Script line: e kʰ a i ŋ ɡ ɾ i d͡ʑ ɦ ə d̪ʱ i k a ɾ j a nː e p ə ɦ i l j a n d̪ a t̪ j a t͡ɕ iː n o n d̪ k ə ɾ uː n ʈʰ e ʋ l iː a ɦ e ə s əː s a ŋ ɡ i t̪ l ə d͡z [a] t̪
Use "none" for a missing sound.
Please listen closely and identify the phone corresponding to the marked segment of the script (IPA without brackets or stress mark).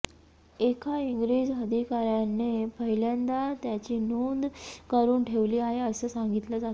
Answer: a